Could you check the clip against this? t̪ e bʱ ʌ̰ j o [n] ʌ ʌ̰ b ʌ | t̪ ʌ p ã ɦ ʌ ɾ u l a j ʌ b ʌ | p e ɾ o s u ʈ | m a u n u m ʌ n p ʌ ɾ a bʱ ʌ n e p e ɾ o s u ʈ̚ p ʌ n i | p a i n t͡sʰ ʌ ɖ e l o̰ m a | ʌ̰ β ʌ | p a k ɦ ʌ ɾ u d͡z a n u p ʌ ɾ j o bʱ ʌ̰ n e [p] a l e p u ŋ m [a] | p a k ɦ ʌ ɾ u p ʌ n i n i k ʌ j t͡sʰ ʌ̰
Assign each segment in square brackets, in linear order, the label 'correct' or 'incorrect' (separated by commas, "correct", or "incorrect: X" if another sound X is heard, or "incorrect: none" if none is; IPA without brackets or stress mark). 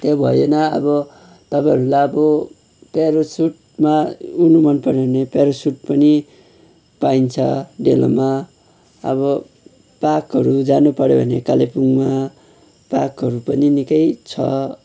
correct, incorrect: k, correct